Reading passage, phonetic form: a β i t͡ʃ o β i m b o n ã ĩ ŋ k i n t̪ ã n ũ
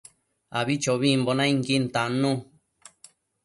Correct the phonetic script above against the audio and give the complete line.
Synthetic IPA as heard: a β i t͡ʃ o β i m b o n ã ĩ ŋ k i n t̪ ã n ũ